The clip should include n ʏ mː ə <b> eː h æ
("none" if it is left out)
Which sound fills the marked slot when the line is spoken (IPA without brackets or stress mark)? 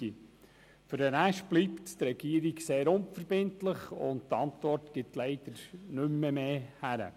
m